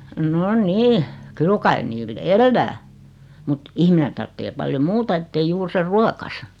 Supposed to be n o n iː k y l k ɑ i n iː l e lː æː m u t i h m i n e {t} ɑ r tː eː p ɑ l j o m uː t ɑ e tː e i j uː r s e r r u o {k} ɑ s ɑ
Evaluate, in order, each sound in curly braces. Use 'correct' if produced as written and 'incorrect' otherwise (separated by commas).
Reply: correct, correct